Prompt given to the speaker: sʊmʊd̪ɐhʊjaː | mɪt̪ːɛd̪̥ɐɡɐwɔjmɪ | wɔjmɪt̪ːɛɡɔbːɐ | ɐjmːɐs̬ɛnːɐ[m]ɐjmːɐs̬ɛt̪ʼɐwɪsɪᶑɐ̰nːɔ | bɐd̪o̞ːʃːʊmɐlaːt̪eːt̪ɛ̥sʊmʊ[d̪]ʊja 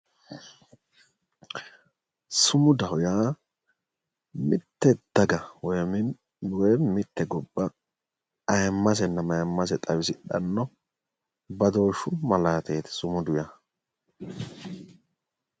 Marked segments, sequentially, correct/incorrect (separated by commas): correct, correct